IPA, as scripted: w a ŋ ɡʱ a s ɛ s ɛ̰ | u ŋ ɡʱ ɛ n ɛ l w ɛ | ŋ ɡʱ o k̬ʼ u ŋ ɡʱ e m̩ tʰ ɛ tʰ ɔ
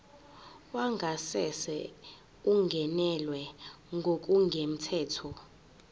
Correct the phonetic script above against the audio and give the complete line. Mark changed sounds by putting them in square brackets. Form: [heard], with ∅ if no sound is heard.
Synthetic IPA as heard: w a ŋ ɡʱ a s ɛ s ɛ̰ | u ŋ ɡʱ ɛ n ɛ l w ɛ | ŋ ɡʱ o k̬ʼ u ŋ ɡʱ e m̩ tʰ [ɛː] tʰ ɔ